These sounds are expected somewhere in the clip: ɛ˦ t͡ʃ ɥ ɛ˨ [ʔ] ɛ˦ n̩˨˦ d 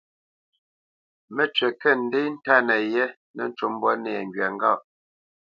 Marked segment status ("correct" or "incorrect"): incorrect